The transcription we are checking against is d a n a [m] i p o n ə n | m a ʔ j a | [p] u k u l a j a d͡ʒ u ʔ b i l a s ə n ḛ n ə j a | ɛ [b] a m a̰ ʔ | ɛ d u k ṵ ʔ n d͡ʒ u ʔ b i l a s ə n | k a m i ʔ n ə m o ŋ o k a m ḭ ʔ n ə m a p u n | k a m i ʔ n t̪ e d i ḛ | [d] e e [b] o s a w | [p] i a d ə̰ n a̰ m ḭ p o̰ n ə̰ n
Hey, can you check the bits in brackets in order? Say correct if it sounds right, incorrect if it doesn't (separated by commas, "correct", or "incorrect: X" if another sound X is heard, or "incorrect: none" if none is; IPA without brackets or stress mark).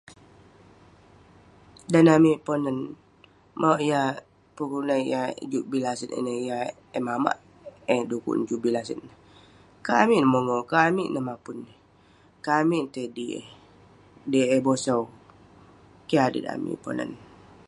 correct, correct, incorrect: m, correct, correct, incorrect: k